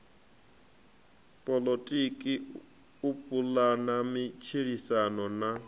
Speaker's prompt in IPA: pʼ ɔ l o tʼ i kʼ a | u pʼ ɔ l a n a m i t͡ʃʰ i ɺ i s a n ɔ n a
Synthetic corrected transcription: pʼ ɔ l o tʼ i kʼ i | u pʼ u l a n a m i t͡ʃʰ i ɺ i s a n ɔ n a